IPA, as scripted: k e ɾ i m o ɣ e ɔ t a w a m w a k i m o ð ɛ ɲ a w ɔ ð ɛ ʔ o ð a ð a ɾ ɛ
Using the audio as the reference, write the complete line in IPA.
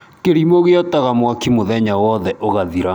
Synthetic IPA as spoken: k e ɾ i m o ɣ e ɔ t a ɣ a m w a k i m o ð ɛ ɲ a w ɔ ð ɛ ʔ o ɣ a ð i ɾ a